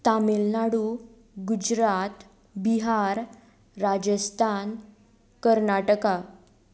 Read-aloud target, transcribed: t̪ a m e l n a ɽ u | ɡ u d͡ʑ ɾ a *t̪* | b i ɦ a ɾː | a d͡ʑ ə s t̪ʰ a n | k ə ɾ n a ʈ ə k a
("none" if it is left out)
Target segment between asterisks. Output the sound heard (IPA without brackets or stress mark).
t̪